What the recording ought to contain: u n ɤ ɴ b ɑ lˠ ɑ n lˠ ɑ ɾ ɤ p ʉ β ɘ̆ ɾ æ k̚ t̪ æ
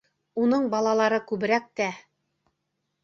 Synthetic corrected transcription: u n ɤ ɴ b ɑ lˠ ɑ lˠ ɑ ɾ ɤ k ʉ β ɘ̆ ɾ æ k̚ t̪ æ